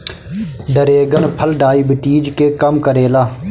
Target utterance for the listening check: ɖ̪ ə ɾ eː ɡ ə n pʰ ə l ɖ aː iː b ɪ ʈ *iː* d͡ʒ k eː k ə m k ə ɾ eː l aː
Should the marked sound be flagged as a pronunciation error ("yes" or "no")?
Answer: no